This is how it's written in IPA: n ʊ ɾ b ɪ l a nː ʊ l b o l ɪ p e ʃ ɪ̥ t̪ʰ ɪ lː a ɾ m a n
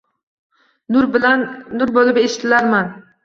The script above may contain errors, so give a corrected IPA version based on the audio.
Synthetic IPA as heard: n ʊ ɾ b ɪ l a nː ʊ ɾ b o l ɪ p e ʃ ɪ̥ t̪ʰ ɪ l a ɾ m a n